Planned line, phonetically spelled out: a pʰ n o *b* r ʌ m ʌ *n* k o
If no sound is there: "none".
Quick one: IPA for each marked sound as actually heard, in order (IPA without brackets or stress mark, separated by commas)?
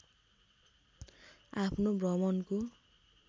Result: b, n